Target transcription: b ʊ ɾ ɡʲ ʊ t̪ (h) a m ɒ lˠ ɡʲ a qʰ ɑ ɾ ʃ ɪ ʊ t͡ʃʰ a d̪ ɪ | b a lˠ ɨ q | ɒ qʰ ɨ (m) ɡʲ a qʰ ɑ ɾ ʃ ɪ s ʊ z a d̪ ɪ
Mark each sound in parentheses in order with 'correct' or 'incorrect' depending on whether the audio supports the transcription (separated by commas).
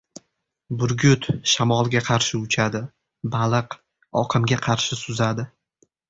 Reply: incorrect, correct